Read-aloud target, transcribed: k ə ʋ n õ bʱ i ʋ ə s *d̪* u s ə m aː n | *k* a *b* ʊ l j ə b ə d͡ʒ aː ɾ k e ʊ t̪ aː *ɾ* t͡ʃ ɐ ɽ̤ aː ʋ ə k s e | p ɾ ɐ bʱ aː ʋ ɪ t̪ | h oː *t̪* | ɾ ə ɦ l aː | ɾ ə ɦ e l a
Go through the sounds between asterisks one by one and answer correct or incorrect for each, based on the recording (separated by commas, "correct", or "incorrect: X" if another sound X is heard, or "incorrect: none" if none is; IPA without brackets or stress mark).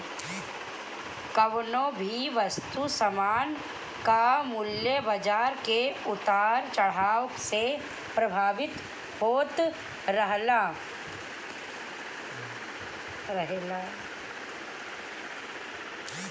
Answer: incorrect: t̪, correct, incorrect: m, correct, correct